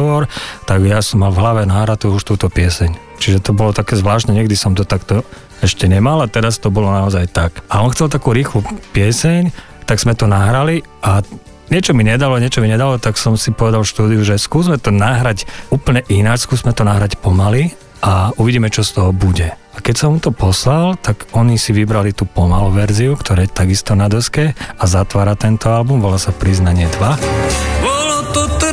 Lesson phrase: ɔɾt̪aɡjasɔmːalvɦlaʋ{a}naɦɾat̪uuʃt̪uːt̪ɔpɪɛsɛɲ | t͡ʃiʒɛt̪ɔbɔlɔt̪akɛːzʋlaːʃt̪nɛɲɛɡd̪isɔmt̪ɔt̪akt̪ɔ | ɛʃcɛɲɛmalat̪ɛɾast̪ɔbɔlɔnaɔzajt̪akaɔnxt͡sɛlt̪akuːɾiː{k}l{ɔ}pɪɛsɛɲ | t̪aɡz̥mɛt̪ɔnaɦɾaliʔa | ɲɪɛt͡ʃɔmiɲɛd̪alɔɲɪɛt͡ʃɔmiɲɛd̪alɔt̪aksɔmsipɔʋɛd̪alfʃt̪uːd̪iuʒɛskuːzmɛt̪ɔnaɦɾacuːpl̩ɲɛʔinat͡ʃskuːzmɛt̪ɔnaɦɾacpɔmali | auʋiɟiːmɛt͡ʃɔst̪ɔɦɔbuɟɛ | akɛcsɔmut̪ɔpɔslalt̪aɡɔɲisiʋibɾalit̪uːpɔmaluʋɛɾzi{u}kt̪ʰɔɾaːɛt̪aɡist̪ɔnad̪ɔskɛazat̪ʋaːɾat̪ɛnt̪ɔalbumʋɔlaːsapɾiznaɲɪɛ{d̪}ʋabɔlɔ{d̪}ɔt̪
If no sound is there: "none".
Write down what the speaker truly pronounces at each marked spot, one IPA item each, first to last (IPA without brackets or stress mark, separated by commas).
ɛ, x, u, u, d̪, t̪